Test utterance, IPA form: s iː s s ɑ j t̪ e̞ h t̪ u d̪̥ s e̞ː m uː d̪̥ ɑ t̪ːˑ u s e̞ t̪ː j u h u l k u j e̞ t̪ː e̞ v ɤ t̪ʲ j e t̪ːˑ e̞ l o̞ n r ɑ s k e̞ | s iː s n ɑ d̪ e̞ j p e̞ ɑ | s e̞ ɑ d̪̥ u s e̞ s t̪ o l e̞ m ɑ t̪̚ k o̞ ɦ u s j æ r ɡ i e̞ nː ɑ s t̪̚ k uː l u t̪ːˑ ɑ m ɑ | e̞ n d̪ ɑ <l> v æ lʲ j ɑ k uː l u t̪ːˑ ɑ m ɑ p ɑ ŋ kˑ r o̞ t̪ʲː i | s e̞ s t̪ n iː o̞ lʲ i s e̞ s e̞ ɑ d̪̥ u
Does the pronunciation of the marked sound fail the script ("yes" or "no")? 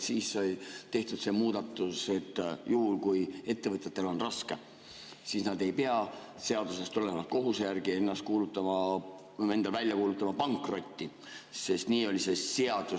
no